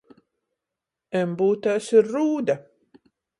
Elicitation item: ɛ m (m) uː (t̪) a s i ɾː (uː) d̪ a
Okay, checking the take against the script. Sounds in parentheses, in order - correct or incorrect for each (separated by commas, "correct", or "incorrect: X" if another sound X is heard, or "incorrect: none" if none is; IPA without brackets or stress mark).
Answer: incorrect: b, correct, correct